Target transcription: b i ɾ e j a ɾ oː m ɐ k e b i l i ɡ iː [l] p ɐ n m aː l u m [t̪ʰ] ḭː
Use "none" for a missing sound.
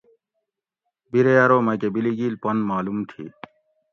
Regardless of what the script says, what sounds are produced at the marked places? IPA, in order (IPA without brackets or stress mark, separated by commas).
l, t̪ʰ